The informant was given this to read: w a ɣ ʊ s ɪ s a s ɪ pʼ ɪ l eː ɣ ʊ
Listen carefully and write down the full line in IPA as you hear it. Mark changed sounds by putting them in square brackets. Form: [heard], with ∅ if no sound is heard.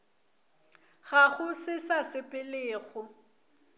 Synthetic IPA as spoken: [ɣ] a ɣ ʊ s ɪ s a s ɪ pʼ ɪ l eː ɣ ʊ